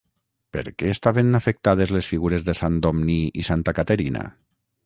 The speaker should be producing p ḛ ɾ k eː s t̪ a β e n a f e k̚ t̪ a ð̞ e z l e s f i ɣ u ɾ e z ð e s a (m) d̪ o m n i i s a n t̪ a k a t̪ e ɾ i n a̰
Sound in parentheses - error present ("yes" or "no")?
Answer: yes